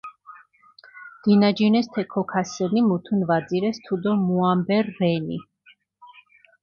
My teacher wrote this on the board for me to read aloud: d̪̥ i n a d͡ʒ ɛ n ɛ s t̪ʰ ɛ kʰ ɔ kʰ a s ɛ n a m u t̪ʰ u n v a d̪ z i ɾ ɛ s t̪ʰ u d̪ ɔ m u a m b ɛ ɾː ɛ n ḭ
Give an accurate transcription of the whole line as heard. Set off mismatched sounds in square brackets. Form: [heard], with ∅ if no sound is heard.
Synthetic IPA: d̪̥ i n a d͡ʒ [i] n ɛ s t̪ʰ ɛ kʰ ɔ kʰ a s ɛ n [i] m u t̪ʰ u n v a d̪ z i ɾ ɛ s t̪ʰ u d̪ ɔ m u a m b ɛ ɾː ɛ n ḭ